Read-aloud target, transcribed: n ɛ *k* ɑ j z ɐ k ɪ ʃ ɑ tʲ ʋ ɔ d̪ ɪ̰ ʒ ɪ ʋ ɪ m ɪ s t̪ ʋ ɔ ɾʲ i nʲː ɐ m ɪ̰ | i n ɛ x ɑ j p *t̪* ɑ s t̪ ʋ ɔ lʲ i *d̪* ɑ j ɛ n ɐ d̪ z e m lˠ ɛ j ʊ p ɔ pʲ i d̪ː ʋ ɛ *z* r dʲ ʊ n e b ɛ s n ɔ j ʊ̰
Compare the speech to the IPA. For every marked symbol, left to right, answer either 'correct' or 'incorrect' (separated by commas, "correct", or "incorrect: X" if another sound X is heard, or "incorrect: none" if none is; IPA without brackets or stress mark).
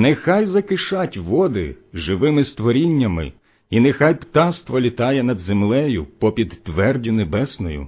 incorrect: x, correct, incorrect: t̪, incorrect: none